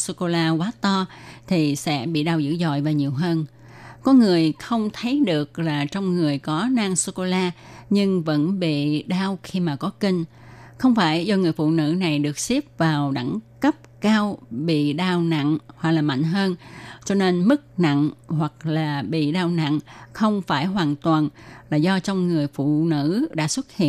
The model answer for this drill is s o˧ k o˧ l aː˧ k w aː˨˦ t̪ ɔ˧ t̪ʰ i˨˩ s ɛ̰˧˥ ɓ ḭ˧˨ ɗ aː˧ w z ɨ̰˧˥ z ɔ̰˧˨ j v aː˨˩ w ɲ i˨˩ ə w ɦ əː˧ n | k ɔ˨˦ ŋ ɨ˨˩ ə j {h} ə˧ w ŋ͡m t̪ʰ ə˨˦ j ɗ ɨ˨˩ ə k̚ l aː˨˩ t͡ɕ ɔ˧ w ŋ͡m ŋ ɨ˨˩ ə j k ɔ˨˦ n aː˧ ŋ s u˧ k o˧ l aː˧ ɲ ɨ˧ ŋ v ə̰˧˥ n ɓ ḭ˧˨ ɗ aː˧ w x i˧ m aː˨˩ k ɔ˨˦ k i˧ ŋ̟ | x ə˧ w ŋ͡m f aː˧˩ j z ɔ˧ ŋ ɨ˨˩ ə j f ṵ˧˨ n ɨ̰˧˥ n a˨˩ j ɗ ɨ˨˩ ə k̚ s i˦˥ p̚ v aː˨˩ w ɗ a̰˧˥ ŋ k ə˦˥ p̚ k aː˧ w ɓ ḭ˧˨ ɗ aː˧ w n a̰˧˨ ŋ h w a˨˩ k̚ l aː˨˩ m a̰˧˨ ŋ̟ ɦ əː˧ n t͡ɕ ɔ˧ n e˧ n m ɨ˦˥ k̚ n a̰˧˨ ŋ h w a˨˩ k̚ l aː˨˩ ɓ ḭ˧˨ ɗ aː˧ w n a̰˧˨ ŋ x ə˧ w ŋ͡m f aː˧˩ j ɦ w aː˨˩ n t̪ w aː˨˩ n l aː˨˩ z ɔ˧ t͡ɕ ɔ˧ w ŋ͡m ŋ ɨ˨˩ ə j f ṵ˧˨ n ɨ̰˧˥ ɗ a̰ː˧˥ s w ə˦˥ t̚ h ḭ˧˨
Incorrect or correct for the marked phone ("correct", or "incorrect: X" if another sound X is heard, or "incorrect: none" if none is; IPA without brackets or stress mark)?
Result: incorrect: x